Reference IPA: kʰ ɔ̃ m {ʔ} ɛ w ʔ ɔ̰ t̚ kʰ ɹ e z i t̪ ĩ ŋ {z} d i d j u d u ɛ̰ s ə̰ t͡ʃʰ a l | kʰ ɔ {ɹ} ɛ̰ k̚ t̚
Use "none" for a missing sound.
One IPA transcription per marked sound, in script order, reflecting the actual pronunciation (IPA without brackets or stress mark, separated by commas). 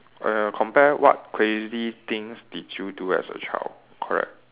p, s, ɹ